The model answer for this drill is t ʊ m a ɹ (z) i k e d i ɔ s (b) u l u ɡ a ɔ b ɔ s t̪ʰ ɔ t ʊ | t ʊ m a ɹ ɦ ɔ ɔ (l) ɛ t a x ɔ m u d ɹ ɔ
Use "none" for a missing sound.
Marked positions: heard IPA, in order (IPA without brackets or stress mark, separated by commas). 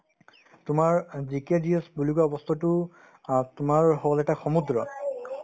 z, b, l